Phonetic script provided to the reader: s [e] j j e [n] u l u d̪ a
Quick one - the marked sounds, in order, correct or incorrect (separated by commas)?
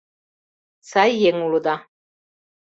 incorrect, incorrect